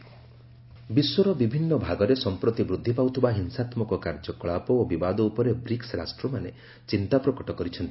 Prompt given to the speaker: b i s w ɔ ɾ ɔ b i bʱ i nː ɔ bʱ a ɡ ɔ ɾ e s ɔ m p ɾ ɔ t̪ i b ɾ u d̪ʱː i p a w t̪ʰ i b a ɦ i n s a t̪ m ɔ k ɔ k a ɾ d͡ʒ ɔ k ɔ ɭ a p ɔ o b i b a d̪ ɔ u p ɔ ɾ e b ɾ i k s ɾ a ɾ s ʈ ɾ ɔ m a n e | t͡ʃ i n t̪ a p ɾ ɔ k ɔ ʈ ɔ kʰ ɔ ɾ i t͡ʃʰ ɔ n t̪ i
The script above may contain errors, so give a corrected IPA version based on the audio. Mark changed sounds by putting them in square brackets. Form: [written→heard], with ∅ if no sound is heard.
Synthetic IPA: b i s w ɔ ɾ ɔ b i bʱ i nː ɔ bʱ a ɡ ɔ ɾ e s ɔ m p ɾ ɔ t̪ i b ɾ u d̪ʱː i p a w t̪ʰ i b a ɦ i n s a t̪ m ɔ k ɔ k a ɾ d͡ʒ ɔ k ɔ ɭ a p ɔ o b i b a d̪ ɔ u p ɔ ɾ e b ɾ i k s ɾ a [ɾ→∅] s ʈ ɾ ɔ m a n e | t͡ʃ i n t̪ a p ɾ ɔ k ɔ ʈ ɔ [kʰ→k] ɔ ɾ i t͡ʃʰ ɔ n t̪ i